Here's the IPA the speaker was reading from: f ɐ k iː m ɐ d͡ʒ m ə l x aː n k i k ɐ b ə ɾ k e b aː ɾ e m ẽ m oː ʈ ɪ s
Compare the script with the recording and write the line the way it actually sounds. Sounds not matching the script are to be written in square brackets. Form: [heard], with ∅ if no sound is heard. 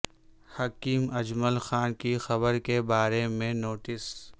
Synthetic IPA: [h] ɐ k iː m ɐ d͡ʒ m ə l x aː n k i [x] ɐ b ə ɾ k e b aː ɾ e m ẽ [n] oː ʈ ɪ s